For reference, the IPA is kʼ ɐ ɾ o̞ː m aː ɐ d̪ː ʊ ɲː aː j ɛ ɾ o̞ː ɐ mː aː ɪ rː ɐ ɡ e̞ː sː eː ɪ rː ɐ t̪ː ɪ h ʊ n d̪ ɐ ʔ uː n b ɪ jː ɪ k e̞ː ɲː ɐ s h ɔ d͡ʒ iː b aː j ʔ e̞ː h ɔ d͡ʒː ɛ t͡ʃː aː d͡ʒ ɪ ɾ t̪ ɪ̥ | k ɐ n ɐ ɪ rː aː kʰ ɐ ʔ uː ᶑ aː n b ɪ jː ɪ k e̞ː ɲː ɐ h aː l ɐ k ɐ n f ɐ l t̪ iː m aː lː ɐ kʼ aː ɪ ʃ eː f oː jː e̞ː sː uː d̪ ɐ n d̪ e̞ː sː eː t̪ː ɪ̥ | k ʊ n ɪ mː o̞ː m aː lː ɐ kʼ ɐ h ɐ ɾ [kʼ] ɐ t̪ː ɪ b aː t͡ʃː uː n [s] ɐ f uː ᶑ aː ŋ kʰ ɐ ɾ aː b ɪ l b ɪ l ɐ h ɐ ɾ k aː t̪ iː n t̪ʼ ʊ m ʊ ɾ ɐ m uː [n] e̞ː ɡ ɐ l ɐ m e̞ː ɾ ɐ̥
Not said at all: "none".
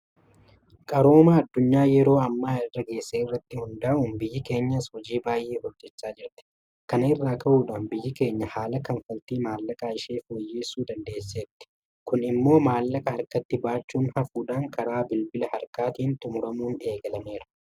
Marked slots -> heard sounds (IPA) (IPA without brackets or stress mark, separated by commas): k, h, n